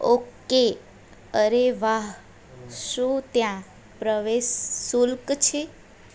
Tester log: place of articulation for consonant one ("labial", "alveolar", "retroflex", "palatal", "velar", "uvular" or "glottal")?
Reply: velar